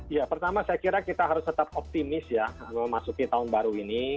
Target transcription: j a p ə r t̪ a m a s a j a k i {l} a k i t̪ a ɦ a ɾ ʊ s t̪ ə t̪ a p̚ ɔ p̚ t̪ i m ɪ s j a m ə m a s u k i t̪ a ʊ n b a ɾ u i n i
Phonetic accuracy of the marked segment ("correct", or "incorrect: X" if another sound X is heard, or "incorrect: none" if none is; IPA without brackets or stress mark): incorrect: ɾ